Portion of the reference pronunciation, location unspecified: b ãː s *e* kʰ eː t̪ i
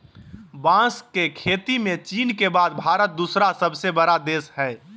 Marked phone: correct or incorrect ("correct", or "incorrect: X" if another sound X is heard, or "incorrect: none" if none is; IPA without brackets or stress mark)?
correct